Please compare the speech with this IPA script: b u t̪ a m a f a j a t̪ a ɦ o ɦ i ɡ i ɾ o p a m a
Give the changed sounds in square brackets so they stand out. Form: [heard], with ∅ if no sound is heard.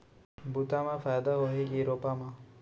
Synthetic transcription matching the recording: b u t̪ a m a f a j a [d̪] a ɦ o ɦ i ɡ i ɾ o p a m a